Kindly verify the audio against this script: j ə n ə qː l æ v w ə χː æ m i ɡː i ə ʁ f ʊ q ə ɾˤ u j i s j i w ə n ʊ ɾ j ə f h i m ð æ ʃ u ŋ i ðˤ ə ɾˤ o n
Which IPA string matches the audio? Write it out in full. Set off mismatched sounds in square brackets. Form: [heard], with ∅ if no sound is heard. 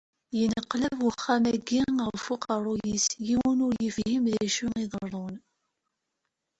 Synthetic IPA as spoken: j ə n ə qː l æ v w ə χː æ m [æ] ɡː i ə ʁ f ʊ q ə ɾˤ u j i s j i w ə n ʊ ɾ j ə f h i m ð æ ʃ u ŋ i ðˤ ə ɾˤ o n